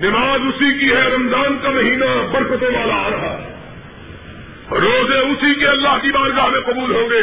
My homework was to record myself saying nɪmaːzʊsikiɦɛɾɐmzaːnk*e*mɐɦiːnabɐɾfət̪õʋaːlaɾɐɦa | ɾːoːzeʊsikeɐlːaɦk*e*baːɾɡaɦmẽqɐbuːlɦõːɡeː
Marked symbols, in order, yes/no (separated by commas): no, no